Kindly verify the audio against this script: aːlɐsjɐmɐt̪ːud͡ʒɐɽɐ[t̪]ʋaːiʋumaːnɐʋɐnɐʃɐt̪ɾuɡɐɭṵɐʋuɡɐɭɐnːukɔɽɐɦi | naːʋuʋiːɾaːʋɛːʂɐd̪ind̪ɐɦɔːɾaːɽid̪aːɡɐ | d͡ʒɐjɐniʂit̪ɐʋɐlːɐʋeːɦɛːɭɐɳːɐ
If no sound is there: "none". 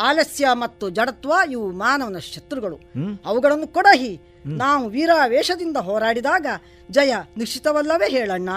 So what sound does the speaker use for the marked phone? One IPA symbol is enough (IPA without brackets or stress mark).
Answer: t̪